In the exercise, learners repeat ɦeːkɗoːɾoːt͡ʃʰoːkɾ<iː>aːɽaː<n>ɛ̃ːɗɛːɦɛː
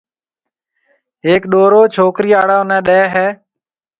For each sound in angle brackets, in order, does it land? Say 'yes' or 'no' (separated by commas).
yes, yes